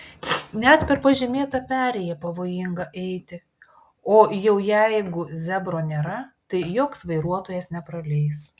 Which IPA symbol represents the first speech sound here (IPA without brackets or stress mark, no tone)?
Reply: nʲ